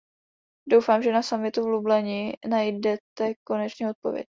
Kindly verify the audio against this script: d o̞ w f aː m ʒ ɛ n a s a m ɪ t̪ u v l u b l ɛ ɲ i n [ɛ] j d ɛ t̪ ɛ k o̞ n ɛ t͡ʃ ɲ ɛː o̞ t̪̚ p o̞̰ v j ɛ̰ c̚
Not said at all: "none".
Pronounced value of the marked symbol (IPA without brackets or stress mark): a